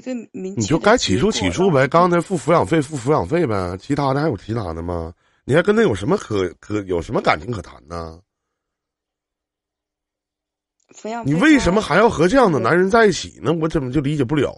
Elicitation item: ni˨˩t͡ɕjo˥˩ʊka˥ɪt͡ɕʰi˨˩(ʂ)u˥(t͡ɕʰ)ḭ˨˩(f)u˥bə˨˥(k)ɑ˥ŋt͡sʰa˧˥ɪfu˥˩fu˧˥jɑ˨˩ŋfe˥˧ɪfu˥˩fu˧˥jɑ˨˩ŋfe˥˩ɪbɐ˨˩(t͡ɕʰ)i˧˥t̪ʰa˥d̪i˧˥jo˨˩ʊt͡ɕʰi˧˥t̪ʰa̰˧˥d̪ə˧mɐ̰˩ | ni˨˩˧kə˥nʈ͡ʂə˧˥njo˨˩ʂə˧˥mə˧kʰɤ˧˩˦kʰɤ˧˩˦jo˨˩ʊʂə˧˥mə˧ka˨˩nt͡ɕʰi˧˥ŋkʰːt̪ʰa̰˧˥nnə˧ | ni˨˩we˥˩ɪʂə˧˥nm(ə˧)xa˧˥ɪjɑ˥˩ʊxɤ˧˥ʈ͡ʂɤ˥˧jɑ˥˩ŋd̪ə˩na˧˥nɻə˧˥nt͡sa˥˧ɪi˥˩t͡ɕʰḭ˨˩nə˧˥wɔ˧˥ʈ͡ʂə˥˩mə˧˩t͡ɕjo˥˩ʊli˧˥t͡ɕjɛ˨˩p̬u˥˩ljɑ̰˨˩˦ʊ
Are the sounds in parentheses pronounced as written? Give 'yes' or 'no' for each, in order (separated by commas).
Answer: yes, yes, no, yes, yes, yes